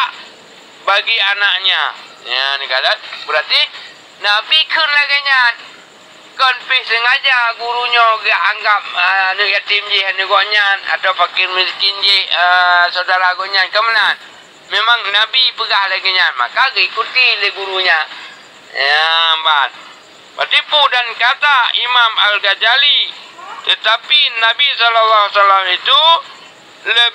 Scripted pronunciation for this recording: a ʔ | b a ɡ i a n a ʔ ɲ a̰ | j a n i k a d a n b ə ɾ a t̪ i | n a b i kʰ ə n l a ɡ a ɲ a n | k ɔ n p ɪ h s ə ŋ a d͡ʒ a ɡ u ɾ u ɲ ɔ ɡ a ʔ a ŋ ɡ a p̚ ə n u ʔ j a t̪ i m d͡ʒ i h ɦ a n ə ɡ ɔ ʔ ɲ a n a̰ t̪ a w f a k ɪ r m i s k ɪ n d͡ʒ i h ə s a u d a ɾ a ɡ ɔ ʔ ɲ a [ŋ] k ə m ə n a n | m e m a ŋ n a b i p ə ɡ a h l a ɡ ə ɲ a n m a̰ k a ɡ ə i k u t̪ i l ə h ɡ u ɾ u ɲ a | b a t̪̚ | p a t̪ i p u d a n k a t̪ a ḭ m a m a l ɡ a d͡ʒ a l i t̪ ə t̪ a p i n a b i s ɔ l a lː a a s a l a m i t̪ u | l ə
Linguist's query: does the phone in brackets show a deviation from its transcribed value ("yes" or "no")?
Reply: yes